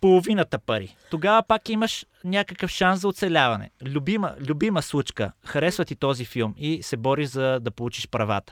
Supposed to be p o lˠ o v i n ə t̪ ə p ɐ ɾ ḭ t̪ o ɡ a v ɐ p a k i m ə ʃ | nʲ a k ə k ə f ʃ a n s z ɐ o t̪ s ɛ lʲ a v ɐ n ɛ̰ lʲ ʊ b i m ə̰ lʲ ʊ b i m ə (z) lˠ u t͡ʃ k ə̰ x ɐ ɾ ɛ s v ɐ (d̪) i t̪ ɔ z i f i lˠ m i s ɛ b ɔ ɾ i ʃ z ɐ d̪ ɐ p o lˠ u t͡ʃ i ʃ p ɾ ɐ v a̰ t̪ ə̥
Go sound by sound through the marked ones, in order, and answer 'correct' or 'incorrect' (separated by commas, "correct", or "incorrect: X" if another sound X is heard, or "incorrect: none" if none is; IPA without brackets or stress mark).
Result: incorrect: s, incorrect: t̪